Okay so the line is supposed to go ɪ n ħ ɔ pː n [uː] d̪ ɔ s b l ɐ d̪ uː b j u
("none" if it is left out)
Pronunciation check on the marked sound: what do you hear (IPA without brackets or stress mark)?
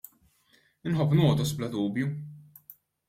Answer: ɔː